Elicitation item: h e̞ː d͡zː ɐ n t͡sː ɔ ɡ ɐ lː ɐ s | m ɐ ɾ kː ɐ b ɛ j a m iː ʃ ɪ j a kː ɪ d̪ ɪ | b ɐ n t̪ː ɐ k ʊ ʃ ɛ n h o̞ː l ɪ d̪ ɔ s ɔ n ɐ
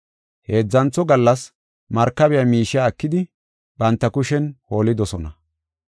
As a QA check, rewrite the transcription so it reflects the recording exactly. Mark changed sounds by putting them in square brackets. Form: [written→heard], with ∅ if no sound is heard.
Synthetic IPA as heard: h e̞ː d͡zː ɐ n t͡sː ɔ ɡ ɐ lː ɐ s | m ɐ ɾ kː ɐ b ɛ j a m iː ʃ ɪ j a kː ɪ d̪ ɪ | b ɐ n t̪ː ɐ k ʊ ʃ ɛ n h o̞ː l ɪ d̪ ɔ s ɔ n ɐ